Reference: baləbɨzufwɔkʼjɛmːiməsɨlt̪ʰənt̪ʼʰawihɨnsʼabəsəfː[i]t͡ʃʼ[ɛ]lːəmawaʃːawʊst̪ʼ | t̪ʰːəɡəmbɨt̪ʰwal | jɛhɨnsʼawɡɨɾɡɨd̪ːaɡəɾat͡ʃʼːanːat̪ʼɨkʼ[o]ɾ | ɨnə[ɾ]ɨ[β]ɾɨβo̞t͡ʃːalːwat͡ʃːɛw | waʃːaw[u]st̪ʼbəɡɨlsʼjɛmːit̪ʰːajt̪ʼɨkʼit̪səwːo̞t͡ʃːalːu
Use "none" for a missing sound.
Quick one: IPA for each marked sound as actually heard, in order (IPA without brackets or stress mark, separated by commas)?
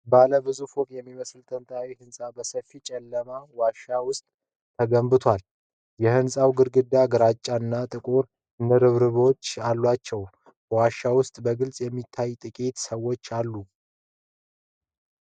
i, ɛ, o, ɾ, β, ʊ